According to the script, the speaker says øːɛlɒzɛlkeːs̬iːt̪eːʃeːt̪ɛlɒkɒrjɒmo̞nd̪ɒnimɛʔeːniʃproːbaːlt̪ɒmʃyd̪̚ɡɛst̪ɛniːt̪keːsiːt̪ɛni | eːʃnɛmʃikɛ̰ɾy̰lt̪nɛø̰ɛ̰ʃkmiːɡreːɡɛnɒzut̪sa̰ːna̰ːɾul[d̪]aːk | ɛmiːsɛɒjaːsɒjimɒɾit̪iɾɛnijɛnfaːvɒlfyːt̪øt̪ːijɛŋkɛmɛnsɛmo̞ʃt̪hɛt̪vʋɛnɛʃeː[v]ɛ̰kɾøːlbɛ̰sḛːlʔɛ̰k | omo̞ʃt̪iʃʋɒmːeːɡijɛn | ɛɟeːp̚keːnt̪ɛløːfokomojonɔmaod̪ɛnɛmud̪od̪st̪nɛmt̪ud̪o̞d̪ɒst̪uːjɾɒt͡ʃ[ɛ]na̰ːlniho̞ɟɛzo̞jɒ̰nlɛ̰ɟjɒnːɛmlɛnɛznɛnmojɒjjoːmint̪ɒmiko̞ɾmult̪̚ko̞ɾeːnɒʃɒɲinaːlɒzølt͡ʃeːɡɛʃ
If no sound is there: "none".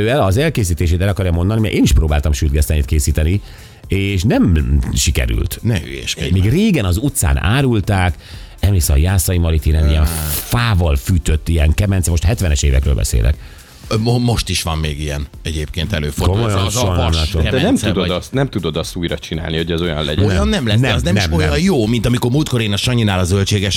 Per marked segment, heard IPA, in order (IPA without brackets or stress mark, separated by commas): t̪, v, i